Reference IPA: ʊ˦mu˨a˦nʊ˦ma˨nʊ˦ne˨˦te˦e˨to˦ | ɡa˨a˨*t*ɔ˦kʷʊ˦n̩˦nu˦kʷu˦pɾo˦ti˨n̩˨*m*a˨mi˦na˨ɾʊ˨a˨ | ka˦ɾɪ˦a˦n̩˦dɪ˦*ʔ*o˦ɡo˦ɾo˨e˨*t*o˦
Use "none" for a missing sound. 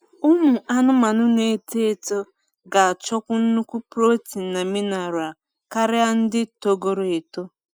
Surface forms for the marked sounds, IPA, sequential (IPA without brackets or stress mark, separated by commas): t͡ʃ, n, t, t